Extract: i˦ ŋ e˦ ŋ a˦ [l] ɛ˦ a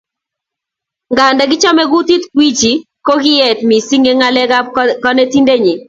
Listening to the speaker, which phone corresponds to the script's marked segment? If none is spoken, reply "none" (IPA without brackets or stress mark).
l